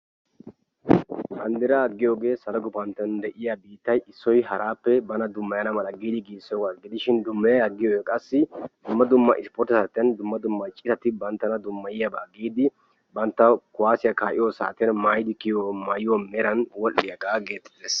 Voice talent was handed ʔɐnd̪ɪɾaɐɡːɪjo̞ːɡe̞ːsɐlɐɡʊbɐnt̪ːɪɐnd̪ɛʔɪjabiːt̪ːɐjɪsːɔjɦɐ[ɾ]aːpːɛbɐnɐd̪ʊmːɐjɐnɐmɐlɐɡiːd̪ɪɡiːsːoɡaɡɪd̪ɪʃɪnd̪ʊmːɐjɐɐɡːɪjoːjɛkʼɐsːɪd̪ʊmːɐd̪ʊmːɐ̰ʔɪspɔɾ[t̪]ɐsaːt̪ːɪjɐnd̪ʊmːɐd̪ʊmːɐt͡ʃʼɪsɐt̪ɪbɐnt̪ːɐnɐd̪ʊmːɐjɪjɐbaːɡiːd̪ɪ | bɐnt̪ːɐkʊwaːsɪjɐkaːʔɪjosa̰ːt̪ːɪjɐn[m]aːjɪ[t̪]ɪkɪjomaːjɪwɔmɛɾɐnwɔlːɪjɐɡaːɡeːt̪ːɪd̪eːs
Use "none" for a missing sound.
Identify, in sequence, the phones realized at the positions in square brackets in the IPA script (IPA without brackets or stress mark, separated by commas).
ɾ, t̪, m, d̪